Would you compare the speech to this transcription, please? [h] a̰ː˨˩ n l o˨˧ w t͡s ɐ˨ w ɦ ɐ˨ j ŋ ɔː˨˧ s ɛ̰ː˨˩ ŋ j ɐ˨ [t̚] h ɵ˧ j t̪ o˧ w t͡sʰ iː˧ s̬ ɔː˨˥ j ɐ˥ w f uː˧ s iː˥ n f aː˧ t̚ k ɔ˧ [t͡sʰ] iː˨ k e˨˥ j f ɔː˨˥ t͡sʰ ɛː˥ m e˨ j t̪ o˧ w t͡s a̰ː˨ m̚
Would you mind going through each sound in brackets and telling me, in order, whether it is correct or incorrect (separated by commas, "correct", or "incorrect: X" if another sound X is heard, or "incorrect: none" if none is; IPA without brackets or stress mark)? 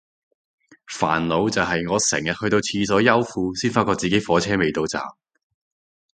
incorrect: f, correct, incorrect: t͡s